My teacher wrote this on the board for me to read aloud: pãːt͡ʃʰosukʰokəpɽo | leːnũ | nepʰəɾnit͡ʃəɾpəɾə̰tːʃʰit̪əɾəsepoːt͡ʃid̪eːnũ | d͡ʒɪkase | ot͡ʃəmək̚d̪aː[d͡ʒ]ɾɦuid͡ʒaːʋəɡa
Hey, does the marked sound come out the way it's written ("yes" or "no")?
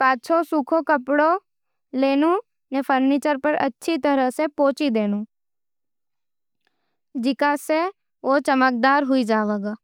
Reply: no